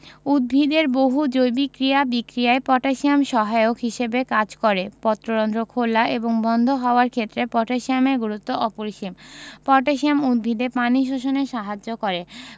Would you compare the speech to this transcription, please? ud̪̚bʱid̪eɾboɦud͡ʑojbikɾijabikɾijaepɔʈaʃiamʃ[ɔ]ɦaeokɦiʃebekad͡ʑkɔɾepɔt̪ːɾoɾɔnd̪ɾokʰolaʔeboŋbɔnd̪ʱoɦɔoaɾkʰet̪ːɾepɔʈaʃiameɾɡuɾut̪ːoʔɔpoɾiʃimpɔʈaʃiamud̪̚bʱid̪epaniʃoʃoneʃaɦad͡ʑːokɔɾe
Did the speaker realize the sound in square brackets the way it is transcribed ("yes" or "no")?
yes